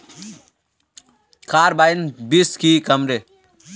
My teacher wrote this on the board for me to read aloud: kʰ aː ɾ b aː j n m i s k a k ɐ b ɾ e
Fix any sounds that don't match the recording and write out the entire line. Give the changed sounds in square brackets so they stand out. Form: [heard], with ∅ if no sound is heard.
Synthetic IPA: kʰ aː ɾ b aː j n [b] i s k [i] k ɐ [m] ɾ e